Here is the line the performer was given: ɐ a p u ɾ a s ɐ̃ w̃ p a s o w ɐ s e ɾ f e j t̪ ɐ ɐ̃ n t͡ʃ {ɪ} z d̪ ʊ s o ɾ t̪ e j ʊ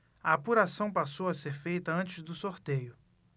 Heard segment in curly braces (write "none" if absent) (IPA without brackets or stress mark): ɪ